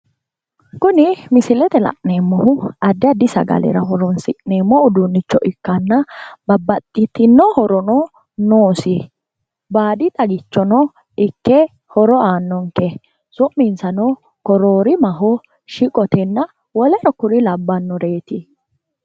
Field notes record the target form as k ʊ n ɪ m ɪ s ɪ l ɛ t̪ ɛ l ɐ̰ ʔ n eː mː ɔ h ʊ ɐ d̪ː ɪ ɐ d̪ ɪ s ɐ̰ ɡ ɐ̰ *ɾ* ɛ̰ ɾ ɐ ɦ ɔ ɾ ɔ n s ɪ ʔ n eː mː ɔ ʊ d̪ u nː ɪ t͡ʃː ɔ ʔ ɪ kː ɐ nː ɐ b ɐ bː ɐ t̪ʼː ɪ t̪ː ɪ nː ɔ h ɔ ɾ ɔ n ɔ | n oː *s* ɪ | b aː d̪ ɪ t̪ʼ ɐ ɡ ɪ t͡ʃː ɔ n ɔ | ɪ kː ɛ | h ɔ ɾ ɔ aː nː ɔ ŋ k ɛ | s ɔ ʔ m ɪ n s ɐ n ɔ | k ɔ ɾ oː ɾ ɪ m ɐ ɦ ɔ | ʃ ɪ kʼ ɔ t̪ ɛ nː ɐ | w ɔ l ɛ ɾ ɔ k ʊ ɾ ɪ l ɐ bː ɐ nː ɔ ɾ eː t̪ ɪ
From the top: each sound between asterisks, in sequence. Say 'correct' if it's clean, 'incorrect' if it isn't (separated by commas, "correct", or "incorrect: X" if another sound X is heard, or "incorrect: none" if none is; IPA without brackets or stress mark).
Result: incorrect: l, correct